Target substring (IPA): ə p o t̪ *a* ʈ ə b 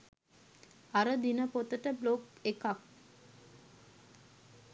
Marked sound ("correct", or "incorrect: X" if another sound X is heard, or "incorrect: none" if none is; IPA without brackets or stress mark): incorrect: ə